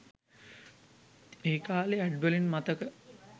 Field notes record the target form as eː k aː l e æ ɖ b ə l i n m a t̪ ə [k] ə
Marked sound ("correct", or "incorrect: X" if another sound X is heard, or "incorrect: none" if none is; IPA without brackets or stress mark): correct